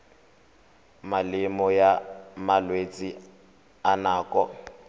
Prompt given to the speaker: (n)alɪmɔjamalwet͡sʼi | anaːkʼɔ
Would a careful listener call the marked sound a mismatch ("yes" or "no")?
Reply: yes